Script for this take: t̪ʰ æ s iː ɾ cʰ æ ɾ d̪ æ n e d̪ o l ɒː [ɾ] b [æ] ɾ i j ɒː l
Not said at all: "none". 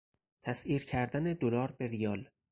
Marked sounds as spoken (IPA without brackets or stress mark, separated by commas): ɾ, e